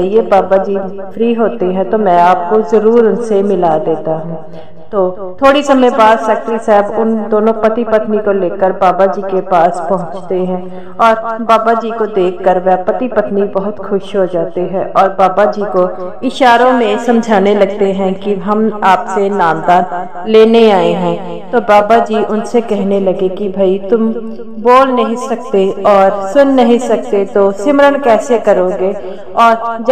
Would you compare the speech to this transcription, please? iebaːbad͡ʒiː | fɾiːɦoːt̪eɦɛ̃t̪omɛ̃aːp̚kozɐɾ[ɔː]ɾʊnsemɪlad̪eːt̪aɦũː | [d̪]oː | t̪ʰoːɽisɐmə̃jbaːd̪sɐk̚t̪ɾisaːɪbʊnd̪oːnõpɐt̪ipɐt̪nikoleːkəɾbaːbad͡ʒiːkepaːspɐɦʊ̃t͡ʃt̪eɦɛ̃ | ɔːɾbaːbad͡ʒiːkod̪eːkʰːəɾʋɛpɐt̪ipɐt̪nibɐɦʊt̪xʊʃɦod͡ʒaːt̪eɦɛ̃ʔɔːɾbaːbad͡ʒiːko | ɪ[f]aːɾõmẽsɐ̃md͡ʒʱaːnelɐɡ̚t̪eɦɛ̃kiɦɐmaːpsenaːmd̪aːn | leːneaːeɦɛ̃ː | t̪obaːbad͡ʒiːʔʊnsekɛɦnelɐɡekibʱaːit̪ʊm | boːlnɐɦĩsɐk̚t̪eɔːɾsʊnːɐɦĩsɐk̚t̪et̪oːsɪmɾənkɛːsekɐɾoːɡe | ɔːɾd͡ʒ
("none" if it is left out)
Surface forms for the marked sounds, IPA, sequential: uː, t̪, ʃ

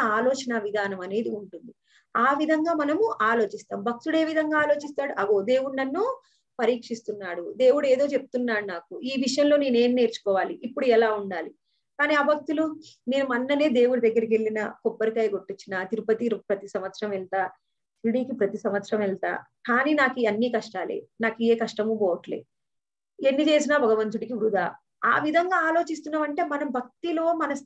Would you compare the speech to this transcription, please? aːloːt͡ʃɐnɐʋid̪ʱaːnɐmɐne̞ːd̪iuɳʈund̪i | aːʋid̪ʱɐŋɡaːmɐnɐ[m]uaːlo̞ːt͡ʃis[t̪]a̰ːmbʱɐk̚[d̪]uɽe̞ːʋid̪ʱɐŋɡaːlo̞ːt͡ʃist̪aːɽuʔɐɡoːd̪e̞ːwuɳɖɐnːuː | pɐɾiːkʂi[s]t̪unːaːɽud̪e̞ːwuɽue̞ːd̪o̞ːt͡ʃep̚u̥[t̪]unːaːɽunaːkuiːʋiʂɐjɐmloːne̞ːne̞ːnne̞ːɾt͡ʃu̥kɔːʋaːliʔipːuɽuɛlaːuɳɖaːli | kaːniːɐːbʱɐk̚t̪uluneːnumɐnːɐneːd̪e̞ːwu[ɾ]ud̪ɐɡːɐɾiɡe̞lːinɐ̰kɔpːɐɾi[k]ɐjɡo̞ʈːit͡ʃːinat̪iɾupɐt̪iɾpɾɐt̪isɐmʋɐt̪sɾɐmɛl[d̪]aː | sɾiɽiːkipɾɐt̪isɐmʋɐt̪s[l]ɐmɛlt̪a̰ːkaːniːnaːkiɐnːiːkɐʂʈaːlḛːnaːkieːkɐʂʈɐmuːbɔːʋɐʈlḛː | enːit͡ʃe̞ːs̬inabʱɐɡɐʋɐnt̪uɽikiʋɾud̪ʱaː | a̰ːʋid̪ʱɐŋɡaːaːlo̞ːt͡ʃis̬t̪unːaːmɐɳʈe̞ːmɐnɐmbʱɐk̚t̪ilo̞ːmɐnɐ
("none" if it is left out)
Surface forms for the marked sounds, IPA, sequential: m, t̪, t̪, s, t̪, ɽ, k, t̪, ɾ

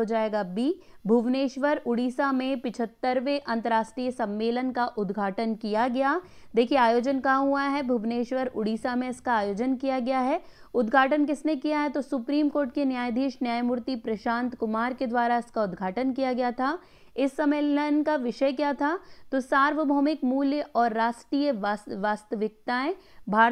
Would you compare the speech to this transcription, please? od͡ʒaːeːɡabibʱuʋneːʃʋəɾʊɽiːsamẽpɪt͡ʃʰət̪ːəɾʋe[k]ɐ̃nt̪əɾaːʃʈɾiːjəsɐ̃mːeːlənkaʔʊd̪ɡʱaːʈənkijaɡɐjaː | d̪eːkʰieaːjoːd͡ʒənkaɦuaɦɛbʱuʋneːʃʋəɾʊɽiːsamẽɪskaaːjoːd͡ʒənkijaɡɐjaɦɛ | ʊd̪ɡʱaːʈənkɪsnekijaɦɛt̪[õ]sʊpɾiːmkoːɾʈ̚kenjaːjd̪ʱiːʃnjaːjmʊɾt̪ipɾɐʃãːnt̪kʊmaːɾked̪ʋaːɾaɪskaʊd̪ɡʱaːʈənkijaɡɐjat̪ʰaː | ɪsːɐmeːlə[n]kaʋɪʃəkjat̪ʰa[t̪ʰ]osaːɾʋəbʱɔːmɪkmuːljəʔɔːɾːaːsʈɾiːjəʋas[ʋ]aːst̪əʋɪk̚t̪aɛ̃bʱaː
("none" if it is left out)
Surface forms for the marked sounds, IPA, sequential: ʔ, o, n, t̪, ʋ

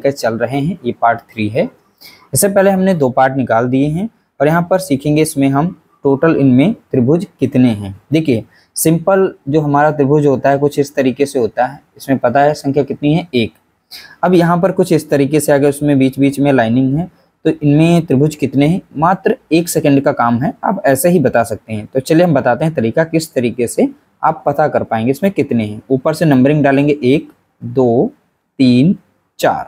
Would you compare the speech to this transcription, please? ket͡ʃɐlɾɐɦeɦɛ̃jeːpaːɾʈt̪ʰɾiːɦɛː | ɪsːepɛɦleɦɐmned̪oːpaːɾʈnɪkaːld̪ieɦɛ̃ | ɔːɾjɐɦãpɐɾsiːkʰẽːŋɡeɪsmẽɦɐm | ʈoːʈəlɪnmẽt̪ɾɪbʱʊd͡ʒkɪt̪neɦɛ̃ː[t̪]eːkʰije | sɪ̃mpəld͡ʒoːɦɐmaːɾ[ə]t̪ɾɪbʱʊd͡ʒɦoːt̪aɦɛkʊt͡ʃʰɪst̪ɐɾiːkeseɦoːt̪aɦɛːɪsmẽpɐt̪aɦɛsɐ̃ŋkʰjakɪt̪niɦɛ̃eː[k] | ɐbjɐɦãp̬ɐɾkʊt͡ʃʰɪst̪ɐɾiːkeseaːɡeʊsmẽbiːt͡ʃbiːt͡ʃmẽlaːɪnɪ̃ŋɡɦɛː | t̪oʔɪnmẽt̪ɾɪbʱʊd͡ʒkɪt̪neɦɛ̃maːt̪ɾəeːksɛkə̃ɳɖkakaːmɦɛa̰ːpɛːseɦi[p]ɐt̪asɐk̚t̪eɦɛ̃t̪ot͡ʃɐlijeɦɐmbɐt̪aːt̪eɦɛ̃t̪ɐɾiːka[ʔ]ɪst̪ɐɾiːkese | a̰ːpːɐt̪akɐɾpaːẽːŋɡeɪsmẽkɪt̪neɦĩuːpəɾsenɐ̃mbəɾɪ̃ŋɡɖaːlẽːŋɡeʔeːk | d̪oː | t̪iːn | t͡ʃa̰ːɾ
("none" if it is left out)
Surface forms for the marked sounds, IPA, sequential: d̪, a, k, b, k

